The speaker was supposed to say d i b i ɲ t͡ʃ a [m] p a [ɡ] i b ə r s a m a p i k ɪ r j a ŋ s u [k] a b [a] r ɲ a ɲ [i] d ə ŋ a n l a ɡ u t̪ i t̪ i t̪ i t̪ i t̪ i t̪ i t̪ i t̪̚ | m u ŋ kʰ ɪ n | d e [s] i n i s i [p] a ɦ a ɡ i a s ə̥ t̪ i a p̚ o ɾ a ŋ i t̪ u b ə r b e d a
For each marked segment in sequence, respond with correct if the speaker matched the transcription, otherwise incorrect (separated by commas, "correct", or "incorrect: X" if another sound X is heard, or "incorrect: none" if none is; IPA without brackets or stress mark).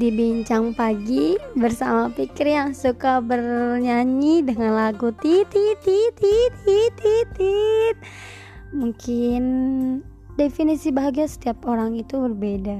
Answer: incorrect: ŋ, correct, correct, incorrect: ə, correct, incorrect: f, incorrect: b